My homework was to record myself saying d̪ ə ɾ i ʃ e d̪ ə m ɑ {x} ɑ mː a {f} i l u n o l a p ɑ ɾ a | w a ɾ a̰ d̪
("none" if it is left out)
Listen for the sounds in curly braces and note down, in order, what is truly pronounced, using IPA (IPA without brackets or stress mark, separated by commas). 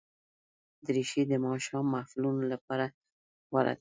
ʃ, f